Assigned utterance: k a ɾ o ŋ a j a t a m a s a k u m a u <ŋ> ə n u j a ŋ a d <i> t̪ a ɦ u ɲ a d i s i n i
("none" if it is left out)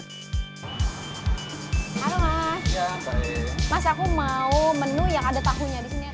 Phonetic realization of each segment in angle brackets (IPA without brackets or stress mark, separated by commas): m, a